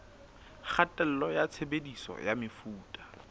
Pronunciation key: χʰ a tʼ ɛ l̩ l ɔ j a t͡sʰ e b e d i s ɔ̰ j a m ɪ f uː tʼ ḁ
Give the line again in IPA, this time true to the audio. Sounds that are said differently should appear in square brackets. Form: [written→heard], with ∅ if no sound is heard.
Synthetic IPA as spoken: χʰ a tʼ ɛ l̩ l ɔ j a t͡sʰ e b e d i s ɔ̰ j a m ɪ f uː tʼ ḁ

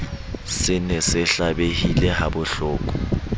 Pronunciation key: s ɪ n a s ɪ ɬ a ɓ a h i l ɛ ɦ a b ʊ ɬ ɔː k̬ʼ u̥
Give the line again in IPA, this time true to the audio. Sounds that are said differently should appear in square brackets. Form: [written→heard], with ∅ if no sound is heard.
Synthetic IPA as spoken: s ɪ n [a→ɛ] s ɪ ɬ a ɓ [a→e] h i l ɛ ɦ a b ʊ ɬ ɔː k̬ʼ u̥

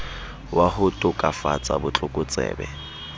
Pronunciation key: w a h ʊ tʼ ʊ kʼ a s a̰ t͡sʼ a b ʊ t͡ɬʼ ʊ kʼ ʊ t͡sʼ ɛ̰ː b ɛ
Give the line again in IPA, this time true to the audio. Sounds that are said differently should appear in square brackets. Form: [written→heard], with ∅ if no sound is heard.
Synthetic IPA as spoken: w a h ʊ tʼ ʊ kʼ a [s→f] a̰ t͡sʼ a b ʊ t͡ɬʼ ʊ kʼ ʊ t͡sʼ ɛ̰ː b ɛ

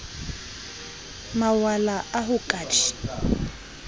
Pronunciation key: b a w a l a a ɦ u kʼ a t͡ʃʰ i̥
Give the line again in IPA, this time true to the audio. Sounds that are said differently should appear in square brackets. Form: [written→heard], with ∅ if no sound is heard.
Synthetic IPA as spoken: [b→m] a w a l a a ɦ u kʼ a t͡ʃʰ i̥

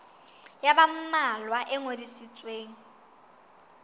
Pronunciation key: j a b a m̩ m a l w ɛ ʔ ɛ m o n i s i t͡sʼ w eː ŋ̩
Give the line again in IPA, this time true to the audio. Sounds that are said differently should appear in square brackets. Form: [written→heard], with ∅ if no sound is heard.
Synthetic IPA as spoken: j a b a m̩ m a l w [ɛ→a] ʔ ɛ [m→ŋ] o [n→d] i s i t͡sʼ w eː ŋ̩

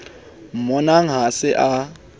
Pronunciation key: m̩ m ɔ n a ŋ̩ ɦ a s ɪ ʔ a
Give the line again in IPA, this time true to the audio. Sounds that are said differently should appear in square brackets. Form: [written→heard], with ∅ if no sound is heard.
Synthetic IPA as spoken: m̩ m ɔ n a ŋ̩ ɦ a s ɪ ʔ a

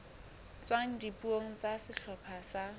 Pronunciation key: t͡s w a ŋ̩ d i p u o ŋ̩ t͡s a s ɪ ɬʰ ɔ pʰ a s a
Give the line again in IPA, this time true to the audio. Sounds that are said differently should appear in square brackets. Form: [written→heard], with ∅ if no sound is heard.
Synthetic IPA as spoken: t͡s w a ŋ̩ d i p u o ŋ̩ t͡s a s ɪ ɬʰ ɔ pʰ a s a

